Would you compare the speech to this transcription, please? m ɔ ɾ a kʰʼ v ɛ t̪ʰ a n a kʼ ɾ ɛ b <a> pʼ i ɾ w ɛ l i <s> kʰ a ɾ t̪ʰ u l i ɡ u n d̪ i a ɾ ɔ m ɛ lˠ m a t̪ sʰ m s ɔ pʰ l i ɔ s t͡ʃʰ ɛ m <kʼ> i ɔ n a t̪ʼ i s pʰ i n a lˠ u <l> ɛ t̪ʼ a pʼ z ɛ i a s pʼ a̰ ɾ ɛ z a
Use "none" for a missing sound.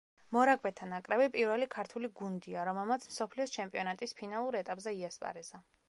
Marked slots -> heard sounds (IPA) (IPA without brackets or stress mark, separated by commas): i, none, pʼ, ɾ